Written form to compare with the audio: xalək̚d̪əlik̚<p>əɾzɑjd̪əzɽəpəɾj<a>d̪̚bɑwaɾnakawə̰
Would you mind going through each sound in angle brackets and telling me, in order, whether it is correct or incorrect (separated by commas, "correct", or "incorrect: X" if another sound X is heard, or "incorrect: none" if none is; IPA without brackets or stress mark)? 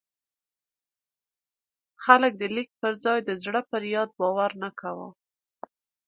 correct, incorrect: ɑ